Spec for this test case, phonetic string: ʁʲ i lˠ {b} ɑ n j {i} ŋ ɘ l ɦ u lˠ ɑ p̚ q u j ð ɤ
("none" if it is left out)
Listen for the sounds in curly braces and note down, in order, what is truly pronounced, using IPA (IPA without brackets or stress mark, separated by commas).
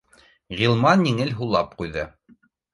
m, i